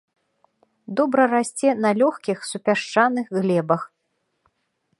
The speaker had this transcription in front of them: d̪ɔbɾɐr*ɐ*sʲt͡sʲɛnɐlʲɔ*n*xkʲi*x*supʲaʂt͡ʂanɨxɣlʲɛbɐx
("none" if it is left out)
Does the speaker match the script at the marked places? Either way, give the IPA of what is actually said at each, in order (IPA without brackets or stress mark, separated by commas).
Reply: a, none, x